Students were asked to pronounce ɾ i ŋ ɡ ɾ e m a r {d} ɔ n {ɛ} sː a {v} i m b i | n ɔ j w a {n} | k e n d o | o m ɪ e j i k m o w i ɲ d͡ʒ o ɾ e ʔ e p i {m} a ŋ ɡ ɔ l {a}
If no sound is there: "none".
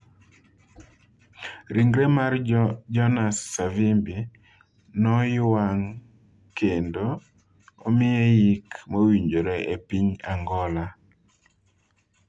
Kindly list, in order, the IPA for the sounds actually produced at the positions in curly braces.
d͡ʒ, a, v, ŋ, ɲ, a

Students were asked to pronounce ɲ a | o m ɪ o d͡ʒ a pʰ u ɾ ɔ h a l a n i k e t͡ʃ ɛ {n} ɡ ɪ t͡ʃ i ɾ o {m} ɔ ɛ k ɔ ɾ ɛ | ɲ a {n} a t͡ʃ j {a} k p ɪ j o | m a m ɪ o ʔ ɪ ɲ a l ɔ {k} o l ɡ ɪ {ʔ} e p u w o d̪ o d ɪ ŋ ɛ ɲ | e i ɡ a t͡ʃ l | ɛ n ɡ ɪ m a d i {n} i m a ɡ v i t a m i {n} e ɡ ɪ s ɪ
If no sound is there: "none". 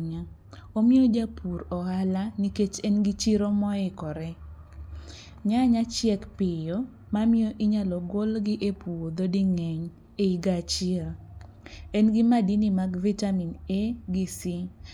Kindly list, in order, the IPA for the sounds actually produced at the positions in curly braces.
n, m, ɲ, ɛ, ɡ, ʔ, n, n

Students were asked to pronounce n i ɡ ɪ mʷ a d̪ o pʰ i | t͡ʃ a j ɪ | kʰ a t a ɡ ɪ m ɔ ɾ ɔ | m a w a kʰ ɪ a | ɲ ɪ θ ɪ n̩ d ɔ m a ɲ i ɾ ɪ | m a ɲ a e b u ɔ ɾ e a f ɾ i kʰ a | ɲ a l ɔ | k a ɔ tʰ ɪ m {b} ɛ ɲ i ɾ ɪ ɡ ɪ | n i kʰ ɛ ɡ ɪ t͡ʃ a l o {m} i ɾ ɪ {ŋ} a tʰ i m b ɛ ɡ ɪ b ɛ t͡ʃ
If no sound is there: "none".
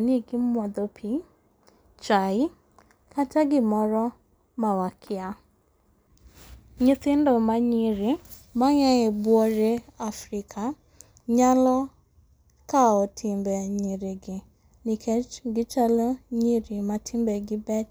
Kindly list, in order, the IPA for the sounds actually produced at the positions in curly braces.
b, ɲ, m

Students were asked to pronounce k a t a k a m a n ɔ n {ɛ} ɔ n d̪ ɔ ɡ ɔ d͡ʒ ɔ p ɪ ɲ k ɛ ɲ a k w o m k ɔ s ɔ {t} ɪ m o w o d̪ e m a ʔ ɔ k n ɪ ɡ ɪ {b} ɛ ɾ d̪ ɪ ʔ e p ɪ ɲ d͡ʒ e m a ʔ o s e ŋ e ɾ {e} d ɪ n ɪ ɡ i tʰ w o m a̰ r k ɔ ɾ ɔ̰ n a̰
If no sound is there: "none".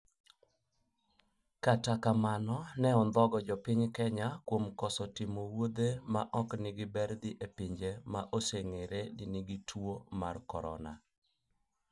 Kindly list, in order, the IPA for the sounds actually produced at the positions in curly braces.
ɛ, t, b, e

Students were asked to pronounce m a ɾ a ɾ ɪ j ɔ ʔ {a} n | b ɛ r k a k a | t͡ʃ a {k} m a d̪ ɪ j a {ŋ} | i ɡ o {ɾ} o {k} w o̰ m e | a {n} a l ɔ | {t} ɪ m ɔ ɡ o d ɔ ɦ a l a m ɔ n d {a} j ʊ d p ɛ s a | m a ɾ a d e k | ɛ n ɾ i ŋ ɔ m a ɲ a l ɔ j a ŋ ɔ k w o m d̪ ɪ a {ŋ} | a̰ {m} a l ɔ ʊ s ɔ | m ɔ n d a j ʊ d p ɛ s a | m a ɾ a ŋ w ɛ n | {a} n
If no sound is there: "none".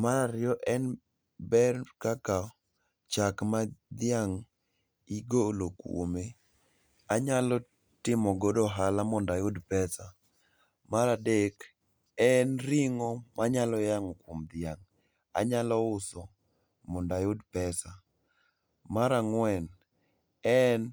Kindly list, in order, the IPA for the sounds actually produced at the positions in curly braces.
ɛ, k, ŋ, l, k, ɲ, t, a, ŋ, ɲ, ɛ

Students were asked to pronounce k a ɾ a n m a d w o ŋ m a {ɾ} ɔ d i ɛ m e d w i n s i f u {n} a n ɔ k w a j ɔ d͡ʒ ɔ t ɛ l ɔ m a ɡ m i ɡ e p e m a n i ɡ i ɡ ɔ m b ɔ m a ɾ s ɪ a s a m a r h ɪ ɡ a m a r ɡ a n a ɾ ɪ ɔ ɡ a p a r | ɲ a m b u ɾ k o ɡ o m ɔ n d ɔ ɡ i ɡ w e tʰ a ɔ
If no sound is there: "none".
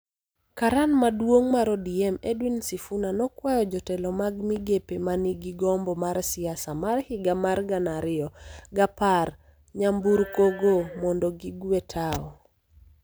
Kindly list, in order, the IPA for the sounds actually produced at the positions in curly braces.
ɾ, n

